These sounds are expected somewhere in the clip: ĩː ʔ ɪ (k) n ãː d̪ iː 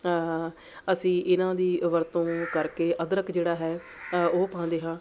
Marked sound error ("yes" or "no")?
yes